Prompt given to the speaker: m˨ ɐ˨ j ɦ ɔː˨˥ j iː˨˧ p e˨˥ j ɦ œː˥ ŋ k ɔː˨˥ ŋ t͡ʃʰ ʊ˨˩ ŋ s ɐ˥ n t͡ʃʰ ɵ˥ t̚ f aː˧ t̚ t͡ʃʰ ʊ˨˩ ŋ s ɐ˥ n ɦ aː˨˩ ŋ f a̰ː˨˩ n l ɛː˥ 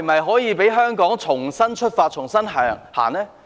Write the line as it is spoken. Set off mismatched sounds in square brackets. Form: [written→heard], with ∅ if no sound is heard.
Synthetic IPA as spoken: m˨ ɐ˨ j ɦ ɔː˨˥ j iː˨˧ p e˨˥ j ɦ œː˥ ŋ k ɔː˨˥ ŋ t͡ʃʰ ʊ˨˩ ŋ s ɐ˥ n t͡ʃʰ ɵ˥ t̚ f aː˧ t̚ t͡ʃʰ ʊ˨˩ ŋ s ɐ˥ n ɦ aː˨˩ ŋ [f→h] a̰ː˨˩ n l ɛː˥